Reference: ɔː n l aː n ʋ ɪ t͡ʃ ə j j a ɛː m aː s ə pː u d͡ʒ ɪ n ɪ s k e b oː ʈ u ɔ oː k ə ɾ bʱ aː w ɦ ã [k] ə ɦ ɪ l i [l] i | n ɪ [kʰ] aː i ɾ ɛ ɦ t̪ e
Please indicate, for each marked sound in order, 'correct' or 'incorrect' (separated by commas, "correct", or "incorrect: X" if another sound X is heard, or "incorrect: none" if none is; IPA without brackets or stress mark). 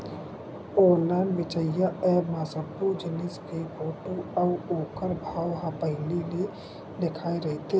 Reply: incorrect: p, correct, correct